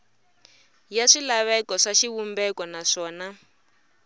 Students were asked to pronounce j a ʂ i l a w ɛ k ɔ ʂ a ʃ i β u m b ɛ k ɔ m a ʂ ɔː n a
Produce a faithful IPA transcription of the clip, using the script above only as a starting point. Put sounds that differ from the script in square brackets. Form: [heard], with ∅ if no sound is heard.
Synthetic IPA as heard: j a ʂ i l a [β] ɛ k ɔ ʂ a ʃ i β u m b ɛ k ɔ [n] a ʂ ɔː n a